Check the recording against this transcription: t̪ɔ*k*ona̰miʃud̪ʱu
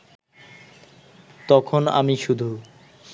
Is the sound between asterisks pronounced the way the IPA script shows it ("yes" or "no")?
no